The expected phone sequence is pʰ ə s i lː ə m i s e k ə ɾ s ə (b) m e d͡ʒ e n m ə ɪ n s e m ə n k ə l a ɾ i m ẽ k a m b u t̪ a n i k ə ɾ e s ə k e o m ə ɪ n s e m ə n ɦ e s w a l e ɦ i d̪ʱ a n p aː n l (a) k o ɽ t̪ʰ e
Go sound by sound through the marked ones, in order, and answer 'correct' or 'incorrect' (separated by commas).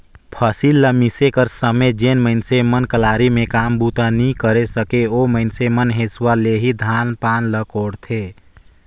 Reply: incorrect, incorrect